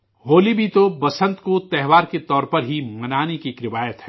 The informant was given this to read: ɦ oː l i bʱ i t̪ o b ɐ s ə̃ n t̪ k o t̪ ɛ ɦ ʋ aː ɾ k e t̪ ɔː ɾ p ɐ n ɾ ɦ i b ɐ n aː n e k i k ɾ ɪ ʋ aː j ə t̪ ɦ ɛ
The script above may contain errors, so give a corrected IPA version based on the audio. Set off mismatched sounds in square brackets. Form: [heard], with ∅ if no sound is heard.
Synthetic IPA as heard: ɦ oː l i bʱ i t̪ o b ɐ s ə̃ n t̪ k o t̪ ɛ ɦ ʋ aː ɾ k e t̪ ɔː ɾ p ɐ [∅] ɾ ɦ i [m] ɐ n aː n e k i k ɾ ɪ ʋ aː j ə t̪ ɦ ɛ